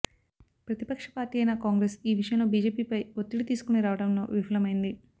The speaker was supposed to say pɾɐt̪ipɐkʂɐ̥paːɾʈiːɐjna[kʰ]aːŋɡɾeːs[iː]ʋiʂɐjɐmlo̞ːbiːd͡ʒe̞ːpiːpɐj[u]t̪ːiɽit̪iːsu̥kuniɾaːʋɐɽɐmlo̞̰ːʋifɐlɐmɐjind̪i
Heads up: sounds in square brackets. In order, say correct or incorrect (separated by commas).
incorrect, correct, incorrect